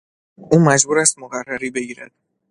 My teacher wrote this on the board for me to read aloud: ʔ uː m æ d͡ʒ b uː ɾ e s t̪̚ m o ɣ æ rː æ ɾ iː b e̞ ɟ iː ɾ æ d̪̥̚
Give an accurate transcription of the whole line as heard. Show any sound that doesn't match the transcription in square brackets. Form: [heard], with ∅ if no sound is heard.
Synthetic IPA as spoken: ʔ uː m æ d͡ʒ b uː ɾ [æ] s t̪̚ m o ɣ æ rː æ ɾ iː b e̞ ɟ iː ɾ æ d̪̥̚